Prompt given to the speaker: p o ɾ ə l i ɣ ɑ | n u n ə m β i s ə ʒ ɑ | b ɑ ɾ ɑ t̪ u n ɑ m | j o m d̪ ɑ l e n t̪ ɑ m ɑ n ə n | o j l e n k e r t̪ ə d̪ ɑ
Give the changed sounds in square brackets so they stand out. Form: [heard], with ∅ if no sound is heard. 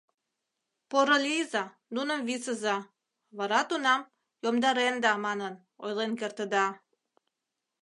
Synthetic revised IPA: p o ɾ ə l i [z] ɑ | n u n ə m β i s ə [z] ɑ | [β] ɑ ɾ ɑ t̪ u n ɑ m | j o m d̪ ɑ [ɾ] e n [d̪] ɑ m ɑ n ə n | o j l e n k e r t̪ ə d̪ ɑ